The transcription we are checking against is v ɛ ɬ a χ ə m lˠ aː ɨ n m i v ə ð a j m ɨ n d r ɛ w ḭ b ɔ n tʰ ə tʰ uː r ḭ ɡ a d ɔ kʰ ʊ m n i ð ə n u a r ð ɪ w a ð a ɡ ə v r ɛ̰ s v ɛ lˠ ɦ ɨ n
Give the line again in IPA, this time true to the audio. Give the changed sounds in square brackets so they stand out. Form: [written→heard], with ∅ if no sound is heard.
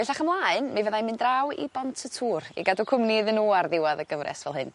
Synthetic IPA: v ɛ ɬ a χ ə m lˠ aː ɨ n m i v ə ð a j m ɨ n d r [ɛ→a] w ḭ b ɔ n tʰ ə tʰ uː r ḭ ɡ a d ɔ kʰ ʊ m n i ð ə n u a r ð ɪ w a ð [a→ə] ɡ ə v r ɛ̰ s v ɛ lˠ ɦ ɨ n